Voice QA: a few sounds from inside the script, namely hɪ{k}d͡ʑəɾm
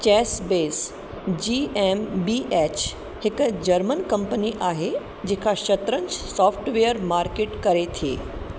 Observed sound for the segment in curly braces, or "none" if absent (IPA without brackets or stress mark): k